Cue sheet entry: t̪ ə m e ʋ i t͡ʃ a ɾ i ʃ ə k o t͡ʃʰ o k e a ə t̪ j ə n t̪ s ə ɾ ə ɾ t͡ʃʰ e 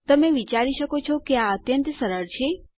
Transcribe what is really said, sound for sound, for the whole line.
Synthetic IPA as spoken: t̪ ə m e ʋ i t͡ʃ a ɾ i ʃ ə k o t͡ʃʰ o k e a ə t̪ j ə n t̪ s ə ɾ ə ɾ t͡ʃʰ e